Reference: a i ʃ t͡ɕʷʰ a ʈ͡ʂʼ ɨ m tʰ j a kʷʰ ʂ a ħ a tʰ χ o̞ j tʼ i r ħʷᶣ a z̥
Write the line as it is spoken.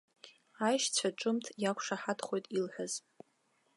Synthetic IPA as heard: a j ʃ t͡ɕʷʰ a ʈ͡ʂʼ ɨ m tʰ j a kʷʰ ʂ a ħ a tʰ χ o̞ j tʼ i l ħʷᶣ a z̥

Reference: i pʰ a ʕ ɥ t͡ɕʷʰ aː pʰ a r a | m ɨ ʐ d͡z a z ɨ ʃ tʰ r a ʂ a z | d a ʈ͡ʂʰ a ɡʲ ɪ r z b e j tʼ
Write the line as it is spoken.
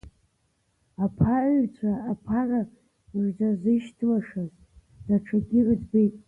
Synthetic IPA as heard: a pʰ a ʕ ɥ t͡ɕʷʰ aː pʰ a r a | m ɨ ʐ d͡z a z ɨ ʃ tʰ l a ʂ a z | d a ʈ͡ʂʰ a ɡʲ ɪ r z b e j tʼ

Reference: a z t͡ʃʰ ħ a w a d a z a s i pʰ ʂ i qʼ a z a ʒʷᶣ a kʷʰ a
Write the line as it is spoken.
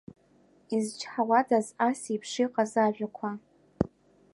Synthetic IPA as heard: i z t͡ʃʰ ħ a w a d a z a s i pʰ ʂ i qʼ a z a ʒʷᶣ a kʷʰ a

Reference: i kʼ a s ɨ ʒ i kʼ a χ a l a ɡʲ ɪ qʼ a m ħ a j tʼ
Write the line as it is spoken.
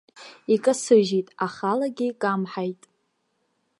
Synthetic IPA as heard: i kʼ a s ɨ ʒ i tʼ a χ a l a ɡʲ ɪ kʼ a m ħ a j tʼ

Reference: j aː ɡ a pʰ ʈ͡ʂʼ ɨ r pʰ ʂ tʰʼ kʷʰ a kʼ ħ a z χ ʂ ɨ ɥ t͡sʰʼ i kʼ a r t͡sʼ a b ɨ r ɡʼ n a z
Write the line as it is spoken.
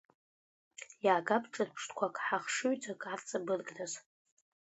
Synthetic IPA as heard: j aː ɡ a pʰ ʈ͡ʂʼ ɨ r pʰ ʂ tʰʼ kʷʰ a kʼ ħ a χ ʂ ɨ ɥ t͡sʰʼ a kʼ a r t͡sʼ a b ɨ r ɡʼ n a z

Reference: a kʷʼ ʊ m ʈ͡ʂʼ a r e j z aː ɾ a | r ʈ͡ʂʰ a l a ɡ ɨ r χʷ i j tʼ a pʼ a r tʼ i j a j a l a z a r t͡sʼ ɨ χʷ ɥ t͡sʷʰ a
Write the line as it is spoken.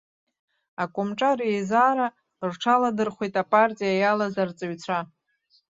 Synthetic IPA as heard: a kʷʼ ʊ m ʈ͡ʂʼ a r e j z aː ɾ a | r ʈ͡ʂʰ a l a d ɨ r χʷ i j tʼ a pʼ a r tʼ i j a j a l a z a r t͡sʼ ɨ ɥ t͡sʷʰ a

